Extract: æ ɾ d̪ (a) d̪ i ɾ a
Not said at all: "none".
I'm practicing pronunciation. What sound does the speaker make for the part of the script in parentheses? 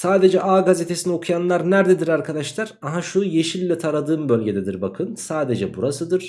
e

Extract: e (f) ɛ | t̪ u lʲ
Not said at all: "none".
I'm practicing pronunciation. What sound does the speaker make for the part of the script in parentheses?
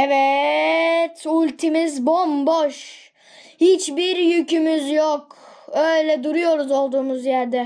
v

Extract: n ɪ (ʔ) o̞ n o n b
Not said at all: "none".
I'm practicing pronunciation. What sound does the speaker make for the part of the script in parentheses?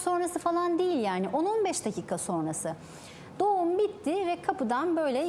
ʔ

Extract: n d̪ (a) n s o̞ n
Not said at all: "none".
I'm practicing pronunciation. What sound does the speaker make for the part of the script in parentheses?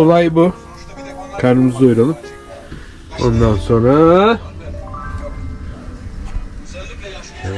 a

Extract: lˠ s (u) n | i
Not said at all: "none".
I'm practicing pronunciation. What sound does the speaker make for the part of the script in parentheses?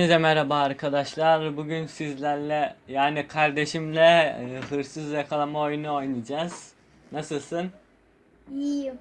ɯ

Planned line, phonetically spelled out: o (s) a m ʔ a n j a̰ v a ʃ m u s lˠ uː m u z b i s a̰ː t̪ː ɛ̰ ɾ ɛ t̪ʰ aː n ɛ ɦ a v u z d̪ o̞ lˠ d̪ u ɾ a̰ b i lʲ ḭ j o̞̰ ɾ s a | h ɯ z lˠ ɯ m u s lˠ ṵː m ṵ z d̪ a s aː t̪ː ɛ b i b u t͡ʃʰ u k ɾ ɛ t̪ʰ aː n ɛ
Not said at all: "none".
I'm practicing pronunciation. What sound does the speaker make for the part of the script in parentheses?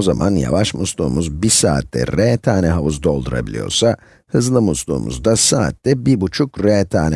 z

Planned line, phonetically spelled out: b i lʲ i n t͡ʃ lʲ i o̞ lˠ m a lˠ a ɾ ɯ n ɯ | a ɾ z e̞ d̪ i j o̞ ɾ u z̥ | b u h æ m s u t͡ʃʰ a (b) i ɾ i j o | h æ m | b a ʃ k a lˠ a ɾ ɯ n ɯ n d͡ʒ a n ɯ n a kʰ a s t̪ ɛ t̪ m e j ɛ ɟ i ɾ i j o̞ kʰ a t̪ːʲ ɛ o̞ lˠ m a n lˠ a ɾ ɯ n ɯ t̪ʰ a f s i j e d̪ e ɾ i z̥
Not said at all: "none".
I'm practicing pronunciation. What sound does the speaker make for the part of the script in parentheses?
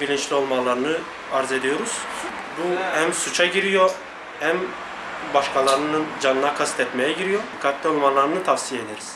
ɟ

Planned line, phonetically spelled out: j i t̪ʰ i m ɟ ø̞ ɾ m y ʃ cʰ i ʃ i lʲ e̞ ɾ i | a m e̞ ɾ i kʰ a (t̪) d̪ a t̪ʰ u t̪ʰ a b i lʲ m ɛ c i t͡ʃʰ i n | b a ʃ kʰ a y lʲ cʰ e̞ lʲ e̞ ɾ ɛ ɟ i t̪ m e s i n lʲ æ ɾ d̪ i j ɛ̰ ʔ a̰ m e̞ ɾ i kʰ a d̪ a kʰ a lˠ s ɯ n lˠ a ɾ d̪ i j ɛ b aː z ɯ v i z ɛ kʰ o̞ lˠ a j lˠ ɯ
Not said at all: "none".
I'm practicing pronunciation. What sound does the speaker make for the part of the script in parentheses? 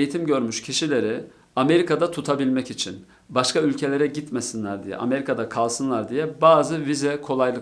none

